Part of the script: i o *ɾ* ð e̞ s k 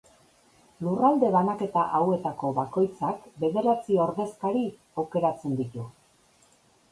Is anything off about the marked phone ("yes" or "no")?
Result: no